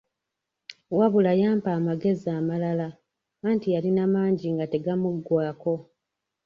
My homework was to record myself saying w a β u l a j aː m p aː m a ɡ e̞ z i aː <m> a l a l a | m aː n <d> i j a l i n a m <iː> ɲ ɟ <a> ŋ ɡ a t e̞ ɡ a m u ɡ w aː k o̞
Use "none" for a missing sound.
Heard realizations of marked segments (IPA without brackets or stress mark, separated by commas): m, t, aː, i